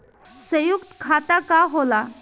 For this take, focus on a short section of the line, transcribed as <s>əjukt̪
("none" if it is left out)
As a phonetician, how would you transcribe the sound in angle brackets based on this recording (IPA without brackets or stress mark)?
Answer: s